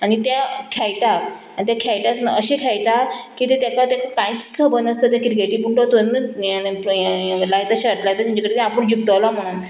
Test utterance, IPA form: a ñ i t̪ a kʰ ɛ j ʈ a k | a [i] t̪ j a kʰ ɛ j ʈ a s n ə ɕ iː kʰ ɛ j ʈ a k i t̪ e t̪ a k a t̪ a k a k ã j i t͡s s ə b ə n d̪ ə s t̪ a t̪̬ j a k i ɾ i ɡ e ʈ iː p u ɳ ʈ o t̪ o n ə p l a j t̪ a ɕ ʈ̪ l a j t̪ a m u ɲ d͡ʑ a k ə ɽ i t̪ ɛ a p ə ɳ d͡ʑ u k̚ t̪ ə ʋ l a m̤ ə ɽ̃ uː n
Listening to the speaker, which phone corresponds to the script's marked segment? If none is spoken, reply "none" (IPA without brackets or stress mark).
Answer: i